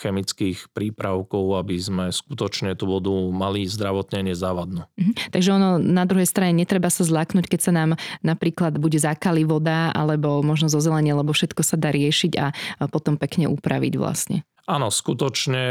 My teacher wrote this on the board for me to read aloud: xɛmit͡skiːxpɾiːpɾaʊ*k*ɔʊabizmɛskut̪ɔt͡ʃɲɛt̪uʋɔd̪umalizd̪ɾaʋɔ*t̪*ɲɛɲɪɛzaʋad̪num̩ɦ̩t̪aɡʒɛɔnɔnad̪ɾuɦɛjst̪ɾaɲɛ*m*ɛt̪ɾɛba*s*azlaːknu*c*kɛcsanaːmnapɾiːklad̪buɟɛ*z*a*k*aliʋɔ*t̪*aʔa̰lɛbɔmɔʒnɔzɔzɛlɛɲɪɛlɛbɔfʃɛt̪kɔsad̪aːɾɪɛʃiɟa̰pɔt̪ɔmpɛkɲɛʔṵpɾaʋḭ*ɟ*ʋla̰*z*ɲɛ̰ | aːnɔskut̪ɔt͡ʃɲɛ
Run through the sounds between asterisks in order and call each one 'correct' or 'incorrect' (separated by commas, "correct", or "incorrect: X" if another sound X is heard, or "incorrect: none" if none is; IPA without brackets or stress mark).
correct, correct, incorrect: ɲ, correct, correct, correct, correct, incorrect: d̪, correct, incorrect: s